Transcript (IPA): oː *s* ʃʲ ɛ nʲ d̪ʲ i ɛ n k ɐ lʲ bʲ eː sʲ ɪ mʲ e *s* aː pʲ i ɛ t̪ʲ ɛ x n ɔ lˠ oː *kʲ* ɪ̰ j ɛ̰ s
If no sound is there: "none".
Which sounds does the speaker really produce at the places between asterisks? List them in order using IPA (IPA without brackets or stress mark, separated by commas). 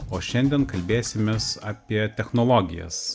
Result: none, s, ɡʲ